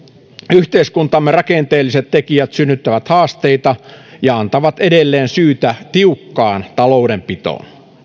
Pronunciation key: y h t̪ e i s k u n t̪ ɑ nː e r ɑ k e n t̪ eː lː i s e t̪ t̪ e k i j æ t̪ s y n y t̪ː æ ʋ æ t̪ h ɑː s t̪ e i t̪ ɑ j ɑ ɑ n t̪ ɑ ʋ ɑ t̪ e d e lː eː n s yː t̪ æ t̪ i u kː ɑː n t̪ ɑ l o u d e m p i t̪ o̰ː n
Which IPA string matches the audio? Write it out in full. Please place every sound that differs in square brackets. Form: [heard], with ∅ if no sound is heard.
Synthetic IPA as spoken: y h t̪ e i s k u n t̪ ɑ [mː] e r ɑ k e n t̪ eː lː i s e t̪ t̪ e k i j æ t̪ s y [nː] y t̪ː æ ʋ æ t̪ h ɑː s t̪ e i t̪ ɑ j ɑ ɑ n t̪ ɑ ʋ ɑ t̪ e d e lː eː n s yː t̪ æ t̪ i u kː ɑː n t̪ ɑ l o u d e m p i t̪ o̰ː n